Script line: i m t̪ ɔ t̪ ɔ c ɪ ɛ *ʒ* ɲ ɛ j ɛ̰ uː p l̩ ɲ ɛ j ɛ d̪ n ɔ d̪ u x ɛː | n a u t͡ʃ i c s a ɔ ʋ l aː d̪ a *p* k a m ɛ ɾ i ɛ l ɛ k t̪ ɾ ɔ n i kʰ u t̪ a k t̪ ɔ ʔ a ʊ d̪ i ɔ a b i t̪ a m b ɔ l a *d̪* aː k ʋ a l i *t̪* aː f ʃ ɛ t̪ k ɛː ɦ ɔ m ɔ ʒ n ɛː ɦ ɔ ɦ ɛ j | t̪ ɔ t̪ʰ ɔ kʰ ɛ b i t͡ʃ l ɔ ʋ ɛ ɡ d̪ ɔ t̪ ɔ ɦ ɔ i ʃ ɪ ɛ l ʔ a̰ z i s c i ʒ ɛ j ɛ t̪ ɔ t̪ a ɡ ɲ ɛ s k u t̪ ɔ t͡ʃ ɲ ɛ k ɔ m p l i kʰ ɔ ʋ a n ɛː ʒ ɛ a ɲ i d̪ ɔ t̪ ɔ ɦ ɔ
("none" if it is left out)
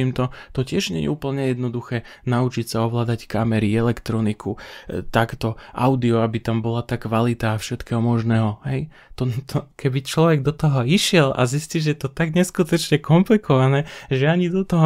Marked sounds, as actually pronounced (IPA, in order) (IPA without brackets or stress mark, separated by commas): ʒ, c, t̪, t̪